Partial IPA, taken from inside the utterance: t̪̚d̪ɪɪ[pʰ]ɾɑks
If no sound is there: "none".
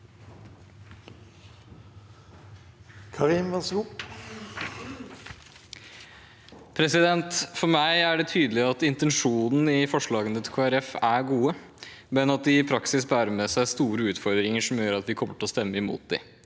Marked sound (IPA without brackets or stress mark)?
pʰ